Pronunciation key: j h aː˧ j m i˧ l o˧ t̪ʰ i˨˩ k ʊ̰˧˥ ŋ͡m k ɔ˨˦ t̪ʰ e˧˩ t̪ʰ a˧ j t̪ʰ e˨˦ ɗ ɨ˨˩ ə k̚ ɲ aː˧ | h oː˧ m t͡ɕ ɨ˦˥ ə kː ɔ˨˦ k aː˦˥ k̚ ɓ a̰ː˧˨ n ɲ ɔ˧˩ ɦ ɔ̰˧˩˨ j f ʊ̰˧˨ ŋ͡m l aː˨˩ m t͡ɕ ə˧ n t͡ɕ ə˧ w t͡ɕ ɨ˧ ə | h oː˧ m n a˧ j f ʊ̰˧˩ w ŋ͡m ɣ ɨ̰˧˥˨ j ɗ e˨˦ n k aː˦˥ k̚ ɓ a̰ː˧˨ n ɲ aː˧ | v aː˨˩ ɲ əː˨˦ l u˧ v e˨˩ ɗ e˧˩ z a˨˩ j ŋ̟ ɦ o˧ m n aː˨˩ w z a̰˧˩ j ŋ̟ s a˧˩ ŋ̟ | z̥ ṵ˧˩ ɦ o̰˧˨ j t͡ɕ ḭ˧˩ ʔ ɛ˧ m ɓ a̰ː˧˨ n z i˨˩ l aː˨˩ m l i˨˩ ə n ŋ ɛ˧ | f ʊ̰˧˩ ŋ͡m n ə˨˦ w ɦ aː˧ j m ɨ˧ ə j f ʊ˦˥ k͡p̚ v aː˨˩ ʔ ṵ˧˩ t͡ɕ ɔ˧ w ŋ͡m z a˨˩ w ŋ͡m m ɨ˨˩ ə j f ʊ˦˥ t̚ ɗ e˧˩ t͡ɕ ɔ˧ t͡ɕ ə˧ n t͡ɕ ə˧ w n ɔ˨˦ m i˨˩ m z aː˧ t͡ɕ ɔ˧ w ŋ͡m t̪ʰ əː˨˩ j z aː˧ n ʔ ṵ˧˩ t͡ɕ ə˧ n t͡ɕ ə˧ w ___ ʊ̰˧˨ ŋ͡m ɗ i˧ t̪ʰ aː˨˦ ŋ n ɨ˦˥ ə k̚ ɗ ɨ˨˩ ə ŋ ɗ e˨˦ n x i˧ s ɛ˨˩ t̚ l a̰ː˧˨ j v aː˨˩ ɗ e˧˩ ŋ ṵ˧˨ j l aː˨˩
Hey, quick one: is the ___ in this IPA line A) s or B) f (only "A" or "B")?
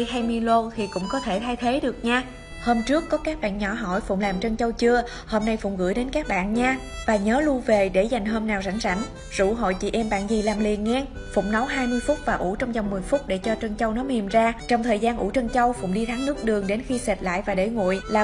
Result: B